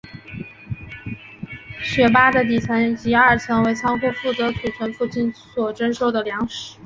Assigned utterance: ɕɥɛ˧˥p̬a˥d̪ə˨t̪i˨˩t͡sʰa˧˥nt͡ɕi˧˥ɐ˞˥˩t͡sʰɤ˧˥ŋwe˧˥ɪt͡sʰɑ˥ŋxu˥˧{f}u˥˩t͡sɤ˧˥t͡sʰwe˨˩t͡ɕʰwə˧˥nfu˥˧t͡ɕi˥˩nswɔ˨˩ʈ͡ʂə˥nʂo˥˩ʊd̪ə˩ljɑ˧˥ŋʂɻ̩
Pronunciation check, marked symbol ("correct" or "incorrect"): correct